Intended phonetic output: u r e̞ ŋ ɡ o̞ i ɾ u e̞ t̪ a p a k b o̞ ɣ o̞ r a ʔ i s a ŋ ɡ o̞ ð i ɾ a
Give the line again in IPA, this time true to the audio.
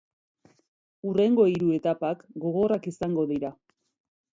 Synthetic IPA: u r e̞ ŋ ɡ o̞ i ɾ u e̞ t̪ a p a k ɡ o̞ ɣ o̞ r a k i s a ŋ ɡ o̞ ð i ɾ a